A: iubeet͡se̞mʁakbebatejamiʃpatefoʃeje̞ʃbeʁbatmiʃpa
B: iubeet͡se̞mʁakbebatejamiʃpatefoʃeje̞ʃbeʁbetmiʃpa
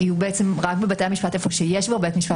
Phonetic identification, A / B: B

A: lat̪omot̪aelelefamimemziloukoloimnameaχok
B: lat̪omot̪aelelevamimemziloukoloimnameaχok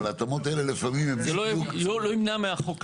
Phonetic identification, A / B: A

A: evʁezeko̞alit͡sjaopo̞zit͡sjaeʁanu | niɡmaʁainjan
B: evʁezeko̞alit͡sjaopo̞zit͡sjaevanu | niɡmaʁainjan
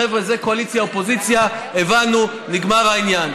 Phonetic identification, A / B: B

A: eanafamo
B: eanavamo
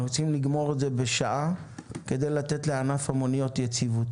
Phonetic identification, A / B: A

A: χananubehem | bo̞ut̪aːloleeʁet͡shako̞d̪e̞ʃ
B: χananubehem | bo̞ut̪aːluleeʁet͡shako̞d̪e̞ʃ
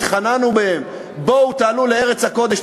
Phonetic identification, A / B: B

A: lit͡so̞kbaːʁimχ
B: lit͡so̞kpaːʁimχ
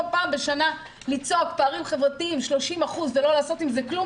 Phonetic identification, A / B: B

